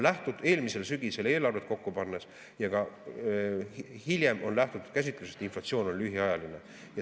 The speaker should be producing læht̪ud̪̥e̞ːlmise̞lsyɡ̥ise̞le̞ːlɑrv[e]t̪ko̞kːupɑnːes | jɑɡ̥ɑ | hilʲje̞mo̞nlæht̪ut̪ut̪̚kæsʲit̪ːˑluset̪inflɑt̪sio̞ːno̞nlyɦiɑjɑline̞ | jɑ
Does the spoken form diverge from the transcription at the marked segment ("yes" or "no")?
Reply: no